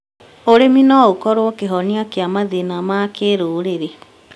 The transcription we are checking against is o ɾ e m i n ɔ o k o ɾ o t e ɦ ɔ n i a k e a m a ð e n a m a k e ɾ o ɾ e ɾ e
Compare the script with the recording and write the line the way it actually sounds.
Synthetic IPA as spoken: o ɾ e m i n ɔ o k ɔ ɾ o k e ɦ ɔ n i a k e a m a ð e n a m a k e ɾ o ɾ e ɾ e